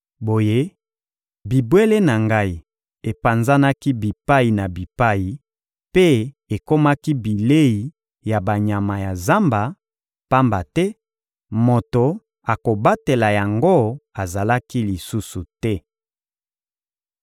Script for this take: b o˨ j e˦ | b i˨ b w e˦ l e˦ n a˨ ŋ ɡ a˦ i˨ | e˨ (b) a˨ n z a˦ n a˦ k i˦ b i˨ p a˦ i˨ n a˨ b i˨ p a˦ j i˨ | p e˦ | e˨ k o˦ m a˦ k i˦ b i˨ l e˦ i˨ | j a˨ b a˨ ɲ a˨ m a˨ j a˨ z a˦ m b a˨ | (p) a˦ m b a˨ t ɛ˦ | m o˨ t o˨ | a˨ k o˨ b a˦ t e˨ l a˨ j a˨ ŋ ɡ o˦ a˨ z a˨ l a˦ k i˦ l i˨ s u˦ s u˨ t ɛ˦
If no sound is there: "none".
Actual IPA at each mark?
p, p

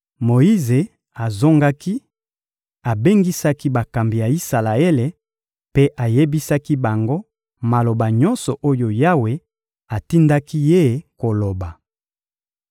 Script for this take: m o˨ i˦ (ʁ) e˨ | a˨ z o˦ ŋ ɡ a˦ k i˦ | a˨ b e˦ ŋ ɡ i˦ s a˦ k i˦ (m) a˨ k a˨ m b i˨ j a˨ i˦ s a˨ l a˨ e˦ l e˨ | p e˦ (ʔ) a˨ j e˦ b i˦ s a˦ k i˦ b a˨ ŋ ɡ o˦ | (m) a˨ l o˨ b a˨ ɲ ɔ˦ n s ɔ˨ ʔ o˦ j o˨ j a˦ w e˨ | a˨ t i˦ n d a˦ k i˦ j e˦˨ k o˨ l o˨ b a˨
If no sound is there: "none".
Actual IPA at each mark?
z, b, ʔ, m

